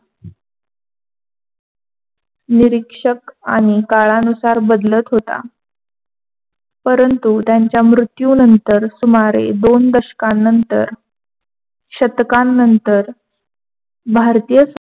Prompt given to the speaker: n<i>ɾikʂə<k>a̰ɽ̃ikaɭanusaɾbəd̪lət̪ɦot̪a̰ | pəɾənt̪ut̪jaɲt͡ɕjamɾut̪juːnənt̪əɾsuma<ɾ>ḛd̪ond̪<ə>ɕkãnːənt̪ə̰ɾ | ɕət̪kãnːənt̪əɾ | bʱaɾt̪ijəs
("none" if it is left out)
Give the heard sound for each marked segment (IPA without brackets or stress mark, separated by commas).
i, k, ɾ, ə